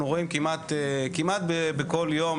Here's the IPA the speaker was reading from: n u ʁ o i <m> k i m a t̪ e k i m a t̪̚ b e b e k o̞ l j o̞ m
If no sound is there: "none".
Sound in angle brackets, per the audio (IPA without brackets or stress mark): m